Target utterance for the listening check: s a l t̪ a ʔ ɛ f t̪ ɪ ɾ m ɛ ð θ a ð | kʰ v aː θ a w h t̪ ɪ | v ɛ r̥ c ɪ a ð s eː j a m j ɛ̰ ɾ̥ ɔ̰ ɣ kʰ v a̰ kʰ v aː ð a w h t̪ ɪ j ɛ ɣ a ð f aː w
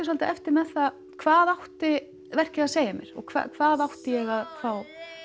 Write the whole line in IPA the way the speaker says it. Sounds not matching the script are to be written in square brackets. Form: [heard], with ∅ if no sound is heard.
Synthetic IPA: s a l t̪ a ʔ ɛ f t̪ ɪ ɾ m ɛ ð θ a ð | kʰ v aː [ð] a w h t̪ ɪ | v ɛ r̥ c ɪ a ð s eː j a m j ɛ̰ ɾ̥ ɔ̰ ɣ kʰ v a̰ kʰ v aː ð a w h t̪ ɪ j ɛ ɣ a ð f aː w